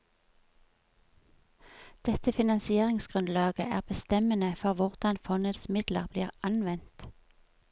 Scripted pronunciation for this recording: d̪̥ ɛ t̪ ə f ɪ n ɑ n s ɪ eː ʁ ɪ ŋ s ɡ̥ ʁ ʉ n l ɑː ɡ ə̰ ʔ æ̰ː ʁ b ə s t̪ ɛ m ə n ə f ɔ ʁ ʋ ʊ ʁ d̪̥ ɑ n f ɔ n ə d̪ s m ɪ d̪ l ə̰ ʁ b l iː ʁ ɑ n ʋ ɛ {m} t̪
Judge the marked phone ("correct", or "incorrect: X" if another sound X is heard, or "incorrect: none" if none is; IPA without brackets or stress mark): incorrect: n